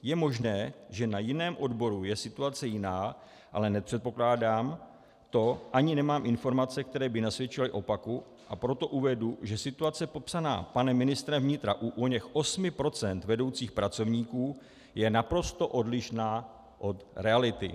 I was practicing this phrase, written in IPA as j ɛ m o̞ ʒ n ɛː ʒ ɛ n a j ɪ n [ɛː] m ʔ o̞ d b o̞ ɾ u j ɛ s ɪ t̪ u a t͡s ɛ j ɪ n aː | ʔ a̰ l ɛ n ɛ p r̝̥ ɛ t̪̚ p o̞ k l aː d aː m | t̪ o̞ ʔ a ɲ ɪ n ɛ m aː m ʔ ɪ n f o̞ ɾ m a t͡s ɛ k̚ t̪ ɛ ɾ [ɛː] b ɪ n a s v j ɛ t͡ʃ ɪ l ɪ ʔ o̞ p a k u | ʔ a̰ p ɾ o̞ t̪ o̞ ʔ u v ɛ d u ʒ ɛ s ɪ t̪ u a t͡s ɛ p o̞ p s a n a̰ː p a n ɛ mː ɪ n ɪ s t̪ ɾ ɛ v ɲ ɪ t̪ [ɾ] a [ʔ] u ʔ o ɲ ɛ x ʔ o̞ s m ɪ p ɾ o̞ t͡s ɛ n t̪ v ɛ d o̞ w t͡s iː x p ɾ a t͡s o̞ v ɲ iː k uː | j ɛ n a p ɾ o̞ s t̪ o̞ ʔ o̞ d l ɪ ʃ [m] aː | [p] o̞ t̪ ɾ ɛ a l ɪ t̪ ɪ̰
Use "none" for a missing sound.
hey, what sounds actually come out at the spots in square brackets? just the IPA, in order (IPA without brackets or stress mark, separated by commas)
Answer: ɛː, ɛː, ɾ, ʔ, n, ʔ